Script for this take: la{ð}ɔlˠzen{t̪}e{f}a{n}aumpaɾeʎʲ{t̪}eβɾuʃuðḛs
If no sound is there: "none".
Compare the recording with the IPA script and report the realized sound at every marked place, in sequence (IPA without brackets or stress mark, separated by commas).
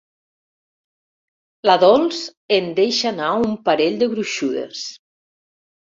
ð, d̪, ʃ, n, d̪